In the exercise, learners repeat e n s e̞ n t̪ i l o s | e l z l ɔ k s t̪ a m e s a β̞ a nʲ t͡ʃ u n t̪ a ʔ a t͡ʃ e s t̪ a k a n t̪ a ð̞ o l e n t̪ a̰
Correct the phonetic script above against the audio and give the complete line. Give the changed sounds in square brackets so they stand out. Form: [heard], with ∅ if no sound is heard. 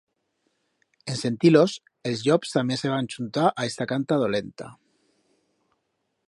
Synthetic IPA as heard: e n s e̞ n t̪ i l o s | e l z [ʎ] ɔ [p] s t̪ a m e s [e] β̞ a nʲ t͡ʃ u n t̪ a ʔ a [∅] e s t̪ a k a n t̪ a ð̞ o l e n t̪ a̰